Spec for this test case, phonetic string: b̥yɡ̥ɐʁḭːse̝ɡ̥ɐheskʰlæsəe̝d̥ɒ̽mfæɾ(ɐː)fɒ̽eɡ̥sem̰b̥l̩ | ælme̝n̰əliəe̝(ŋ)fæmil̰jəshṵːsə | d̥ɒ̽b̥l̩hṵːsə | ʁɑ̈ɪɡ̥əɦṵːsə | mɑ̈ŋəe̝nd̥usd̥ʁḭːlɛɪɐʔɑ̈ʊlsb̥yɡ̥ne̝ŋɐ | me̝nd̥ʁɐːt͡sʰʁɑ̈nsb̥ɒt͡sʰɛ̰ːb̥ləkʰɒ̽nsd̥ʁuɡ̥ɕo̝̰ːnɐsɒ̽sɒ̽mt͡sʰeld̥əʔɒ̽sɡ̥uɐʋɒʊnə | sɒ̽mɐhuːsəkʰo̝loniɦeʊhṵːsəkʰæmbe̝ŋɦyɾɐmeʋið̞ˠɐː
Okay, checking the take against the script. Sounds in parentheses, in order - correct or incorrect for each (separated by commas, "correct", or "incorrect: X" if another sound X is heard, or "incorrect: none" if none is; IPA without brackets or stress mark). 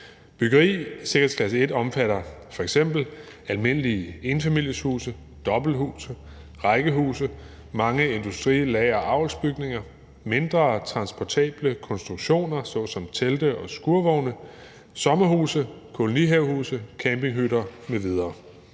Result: incorrect: ɐ, incorrect: n